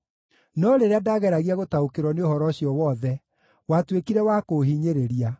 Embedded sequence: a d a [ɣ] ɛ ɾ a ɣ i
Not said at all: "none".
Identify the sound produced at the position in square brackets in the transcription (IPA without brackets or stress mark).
ɣ